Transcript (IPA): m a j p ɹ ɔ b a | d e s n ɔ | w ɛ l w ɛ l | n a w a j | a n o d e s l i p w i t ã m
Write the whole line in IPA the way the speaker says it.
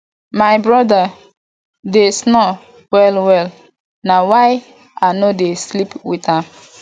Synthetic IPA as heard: m a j b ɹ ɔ d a | d e s n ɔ | w ɛ l w ɛ l | n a w a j | a n o d e s l i p w i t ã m